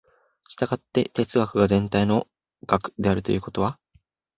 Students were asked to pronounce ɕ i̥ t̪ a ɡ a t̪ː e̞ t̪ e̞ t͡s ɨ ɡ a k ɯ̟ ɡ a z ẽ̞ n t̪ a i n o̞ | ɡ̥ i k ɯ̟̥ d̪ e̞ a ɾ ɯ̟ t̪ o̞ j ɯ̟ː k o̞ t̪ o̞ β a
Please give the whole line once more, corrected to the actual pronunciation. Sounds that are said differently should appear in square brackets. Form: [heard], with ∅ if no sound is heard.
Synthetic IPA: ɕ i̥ t̪ a ɡ a t̪ː e̞ t̪ e̞ t͡s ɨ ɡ a k ɯ̟ ɡ a z ẽ̞ n t̪ a i n o̞ | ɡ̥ [a] k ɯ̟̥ d̪ e̞ a ɾ ɯ̟ t̪ o̞ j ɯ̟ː k o̞ t̪ o̞ β a